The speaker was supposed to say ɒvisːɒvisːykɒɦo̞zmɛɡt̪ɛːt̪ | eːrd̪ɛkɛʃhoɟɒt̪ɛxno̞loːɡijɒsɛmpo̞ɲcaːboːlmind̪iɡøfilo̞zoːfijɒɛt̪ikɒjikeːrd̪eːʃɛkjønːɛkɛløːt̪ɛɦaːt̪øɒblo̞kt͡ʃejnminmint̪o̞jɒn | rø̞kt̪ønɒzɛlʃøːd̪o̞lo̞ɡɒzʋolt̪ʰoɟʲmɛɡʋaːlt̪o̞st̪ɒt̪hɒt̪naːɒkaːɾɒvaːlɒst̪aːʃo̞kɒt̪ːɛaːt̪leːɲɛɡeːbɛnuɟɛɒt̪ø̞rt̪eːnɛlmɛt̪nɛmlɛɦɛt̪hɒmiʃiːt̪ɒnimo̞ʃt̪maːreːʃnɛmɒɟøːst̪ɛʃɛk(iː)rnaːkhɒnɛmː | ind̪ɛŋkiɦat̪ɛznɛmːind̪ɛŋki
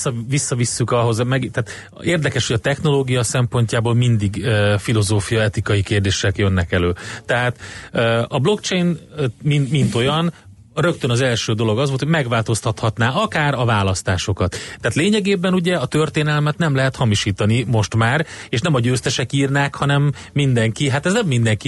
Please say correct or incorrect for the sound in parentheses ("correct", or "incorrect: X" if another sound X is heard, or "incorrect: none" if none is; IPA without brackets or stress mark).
correct